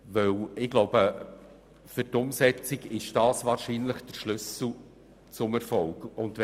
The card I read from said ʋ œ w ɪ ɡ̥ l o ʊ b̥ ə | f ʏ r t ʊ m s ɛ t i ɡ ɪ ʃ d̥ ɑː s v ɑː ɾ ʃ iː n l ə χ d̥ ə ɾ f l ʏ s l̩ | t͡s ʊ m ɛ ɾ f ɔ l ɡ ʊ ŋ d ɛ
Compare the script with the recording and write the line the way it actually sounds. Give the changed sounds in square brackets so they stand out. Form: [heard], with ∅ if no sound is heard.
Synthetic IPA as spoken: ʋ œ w ɪ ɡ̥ l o ʊ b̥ ə | f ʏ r t ʊ m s ɛ [t͡s] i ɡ ɪ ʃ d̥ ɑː s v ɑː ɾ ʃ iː n l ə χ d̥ ə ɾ [ʃ] l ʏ s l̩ | t͡s ʊ m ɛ ɾ f ɔ l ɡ ʊ [n] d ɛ